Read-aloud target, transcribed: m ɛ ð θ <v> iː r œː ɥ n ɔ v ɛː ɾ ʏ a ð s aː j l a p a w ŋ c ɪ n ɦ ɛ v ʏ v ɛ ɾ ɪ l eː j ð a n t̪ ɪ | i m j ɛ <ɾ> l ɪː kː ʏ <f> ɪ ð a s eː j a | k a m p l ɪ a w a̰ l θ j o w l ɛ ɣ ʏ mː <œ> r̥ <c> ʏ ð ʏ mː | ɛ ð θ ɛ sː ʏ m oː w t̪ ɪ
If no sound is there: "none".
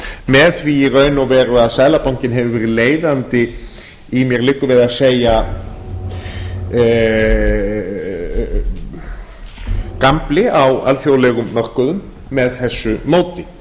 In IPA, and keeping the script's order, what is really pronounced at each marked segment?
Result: v, ɾ, v, œ, k

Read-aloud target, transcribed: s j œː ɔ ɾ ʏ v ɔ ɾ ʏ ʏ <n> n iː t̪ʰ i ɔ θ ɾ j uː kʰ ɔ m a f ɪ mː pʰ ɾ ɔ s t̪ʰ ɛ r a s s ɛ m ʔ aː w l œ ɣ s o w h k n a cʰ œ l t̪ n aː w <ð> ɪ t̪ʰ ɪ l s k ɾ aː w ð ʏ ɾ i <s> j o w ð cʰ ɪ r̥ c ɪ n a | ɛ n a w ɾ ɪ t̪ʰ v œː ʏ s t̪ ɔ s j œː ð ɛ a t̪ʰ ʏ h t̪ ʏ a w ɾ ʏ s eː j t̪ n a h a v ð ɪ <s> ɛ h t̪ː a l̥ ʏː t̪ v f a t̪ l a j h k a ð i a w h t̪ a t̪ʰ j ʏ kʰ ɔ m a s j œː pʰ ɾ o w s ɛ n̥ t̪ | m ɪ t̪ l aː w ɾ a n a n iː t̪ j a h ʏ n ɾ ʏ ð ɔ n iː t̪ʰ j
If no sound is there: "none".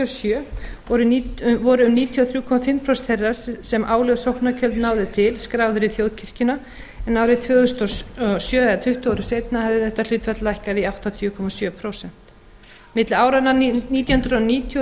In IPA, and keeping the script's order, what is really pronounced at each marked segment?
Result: m, ð, θ, θ

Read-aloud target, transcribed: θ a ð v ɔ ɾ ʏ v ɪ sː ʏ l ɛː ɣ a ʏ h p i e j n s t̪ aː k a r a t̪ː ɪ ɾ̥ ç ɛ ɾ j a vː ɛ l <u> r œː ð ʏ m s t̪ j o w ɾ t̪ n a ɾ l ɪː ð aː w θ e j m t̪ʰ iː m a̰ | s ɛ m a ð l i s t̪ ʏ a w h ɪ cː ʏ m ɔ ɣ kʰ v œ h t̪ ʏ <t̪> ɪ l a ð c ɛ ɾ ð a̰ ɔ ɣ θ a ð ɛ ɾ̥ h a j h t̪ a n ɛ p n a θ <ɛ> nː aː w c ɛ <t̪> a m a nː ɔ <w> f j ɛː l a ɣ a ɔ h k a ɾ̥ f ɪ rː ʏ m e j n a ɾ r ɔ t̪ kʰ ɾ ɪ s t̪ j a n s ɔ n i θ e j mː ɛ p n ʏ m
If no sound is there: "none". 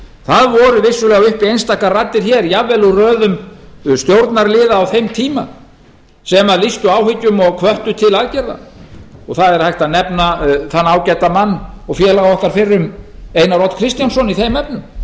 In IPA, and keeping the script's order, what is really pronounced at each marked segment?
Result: u, t̪ʰ, a, t̪, ɣ

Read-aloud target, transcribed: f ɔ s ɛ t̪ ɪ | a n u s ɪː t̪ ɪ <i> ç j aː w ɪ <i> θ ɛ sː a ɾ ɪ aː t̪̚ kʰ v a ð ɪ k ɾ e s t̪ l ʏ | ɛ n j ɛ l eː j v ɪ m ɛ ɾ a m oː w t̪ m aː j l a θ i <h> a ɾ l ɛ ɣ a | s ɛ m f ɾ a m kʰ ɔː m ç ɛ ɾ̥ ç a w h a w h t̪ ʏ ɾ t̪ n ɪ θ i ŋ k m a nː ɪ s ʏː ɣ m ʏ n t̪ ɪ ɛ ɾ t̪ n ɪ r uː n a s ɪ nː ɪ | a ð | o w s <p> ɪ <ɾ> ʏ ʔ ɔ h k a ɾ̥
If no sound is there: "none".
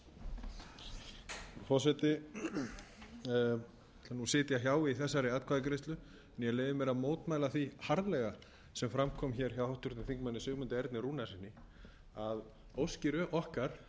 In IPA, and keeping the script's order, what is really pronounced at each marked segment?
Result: a, i, h, c, ɾ

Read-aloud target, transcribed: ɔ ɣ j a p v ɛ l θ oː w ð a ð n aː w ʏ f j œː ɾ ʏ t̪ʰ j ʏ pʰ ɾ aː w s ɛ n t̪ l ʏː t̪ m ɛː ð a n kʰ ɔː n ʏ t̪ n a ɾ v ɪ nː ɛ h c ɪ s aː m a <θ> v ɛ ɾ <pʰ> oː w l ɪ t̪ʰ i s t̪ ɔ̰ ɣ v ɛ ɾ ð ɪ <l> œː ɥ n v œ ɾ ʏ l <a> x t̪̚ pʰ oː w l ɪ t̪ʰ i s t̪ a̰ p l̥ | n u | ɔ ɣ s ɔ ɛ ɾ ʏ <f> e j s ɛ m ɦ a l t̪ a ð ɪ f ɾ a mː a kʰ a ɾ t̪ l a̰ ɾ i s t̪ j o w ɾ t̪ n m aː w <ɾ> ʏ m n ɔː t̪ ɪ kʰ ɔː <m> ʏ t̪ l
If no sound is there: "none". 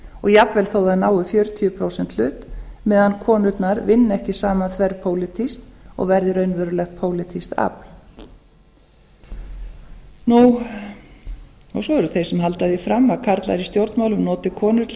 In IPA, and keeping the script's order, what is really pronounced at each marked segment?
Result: θ, pʰ, ɾ, ɛ, θ, l, n

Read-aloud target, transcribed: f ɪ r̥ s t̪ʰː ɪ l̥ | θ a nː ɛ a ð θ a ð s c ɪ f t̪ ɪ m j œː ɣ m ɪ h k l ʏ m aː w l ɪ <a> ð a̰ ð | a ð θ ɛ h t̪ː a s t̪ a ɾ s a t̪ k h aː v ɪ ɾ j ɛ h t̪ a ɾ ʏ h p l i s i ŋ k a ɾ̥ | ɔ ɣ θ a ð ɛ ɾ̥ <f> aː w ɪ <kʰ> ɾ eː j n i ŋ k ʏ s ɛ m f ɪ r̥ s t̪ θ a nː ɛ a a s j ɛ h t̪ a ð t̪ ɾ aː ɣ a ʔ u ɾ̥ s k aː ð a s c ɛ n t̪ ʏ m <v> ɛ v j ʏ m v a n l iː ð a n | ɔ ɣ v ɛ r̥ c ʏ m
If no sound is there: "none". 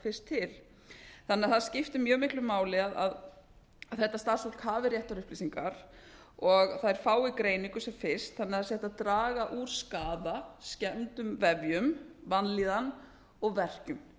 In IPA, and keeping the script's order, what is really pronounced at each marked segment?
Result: a, f, k, v

